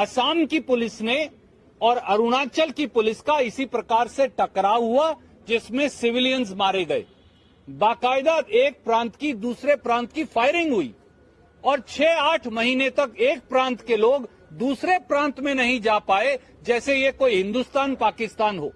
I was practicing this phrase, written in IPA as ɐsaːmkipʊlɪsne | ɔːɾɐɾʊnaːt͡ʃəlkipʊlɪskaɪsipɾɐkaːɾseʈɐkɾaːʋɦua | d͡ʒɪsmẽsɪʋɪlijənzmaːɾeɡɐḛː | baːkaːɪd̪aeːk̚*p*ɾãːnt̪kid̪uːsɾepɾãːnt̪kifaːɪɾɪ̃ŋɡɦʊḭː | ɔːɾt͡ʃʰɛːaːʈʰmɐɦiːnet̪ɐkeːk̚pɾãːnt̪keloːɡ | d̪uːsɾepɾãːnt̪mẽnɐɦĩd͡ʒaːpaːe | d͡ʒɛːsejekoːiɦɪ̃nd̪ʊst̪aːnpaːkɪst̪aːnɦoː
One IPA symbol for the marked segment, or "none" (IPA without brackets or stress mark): p